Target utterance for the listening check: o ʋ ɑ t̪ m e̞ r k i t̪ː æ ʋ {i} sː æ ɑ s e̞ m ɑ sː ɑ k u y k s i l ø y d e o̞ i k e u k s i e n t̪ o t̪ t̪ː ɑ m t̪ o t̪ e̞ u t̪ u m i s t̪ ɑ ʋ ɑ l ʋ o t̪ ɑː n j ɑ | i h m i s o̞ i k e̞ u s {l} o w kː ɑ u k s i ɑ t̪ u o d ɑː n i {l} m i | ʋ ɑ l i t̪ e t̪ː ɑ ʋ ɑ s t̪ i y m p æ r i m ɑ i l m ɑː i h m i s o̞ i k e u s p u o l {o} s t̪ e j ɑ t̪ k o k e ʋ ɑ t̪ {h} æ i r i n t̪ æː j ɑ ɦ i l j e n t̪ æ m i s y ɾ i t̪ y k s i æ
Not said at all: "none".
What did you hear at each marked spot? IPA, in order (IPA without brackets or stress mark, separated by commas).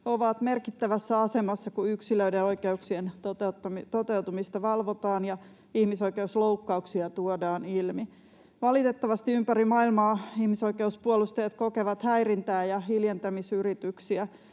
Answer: æ, l, l, u, h